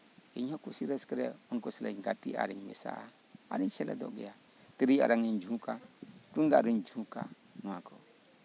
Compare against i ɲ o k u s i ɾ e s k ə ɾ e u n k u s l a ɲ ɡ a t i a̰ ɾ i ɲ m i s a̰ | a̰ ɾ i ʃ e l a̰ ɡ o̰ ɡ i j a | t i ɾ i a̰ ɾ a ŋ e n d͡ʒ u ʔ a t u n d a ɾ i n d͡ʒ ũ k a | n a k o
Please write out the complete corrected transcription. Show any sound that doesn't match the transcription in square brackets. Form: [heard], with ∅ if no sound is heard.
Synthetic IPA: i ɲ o k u s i ɾ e s k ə ɾ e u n k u s l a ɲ ɡ a t i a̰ ɾ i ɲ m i s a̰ | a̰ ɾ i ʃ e l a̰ [d] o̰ ɡ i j a | t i ɾ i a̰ ɾ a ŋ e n d͡ʒ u [k] a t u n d a ɾ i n d͡ʒ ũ k a | n a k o